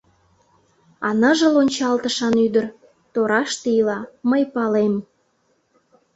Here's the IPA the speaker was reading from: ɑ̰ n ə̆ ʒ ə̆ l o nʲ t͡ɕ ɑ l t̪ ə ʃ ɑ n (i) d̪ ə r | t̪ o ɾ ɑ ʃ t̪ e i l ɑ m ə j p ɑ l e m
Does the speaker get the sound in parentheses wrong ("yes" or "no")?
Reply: yes